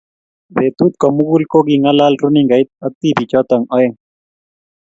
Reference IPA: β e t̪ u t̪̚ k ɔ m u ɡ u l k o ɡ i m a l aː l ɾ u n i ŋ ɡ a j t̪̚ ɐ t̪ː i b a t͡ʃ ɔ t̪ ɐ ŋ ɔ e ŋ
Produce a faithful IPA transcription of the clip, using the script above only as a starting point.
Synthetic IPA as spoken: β e t̪ u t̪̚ k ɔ m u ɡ u l k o ɡ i ŋ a l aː l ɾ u n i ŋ ɡ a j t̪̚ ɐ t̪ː i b i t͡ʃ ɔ t̪ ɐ ŋ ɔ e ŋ